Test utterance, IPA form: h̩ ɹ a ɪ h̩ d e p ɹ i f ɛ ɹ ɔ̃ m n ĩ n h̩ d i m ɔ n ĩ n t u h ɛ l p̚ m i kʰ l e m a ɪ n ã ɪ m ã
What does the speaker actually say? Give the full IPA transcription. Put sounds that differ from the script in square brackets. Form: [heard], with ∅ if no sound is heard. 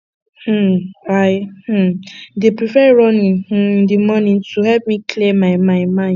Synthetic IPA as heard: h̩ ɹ a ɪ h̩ d e p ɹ i f ɛ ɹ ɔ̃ [∅] n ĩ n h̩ d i m ɔ n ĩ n t u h ɛ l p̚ m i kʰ l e m a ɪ [m] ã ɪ m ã